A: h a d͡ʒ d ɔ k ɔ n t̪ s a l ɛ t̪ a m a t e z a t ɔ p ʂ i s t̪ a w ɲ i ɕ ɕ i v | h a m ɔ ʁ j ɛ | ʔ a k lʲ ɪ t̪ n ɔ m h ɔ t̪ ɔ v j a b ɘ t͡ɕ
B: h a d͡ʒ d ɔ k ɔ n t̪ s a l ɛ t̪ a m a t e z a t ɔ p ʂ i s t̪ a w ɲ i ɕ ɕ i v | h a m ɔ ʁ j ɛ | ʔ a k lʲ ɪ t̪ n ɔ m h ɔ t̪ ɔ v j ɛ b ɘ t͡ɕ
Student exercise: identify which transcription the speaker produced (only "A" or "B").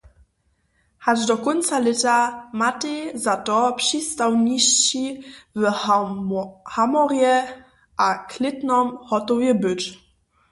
B